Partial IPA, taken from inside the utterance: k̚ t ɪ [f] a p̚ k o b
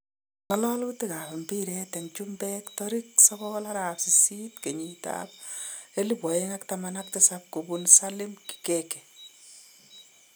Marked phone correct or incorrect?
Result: incorrect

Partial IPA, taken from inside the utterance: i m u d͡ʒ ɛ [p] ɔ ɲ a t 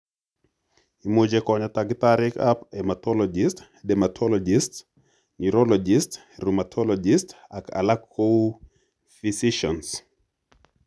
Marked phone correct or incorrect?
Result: incorrect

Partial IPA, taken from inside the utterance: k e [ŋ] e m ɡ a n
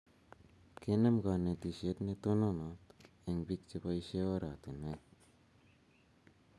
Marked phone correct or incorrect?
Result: incorrect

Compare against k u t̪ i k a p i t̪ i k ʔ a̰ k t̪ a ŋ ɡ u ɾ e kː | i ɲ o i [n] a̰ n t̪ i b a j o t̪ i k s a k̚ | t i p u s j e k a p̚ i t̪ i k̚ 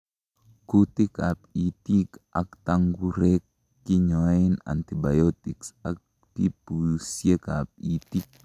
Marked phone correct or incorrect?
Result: correct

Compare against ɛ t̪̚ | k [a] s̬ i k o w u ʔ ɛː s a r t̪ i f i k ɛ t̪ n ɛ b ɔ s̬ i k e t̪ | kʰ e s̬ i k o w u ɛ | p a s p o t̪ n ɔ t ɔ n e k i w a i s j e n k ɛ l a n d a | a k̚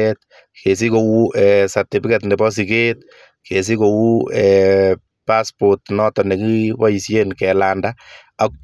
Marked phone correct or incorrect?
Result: incorrect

